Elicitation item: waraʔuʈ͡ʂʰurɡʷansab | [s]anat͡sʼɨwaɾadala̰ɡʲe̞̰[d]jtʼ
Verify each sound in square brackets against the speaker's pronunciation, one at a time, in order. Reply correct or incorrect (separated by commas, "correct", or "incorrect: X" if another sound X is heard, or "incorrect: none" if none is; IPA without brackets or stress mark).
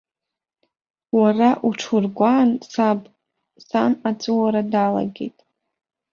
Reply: correct, incorrect: none